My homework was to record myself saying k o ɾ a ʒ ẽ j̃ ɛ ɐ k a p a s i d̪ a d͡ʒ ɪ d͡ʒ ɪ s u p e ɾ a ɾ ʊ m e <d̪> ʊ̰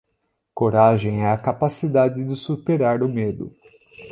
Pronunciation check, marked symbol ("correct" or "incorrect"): correct